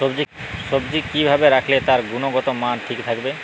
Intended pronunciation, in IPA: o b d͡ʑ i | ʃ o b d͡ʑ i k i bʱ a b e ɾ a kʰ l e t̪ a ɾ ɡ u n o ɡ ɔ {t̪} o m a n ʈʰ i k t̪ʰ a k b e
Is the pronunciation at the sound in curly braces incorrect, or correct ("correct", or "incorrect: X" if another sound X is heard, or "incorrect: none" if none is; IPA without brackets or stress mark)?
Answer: correct